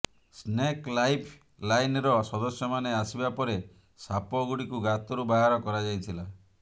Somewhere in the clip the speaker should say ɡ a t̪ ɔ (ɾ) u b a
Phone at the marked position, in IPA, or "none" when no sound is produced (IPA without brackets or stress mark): ɾ